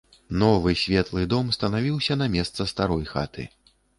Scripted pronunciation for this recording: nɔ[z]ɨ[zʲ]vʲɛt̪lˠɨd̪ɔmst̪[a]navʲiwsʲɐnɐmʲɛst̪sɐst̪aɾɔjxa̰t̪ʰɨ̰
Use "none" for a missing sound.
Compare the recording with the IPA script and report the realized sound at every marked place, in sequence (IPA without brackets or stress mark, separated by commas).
v, sʲ, ɐ